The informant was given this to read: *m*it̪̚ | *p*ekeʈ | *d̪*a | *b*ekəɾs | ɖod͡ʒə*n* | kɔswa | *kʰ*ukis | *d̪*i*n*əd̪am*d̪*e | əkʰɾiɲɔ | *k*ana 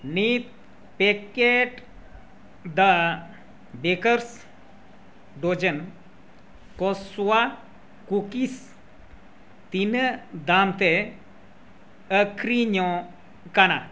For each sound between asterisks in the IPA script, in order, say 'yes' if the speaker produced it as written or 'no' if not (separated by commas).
no, yes, yes, yes, yes, no, no, yes, no, yes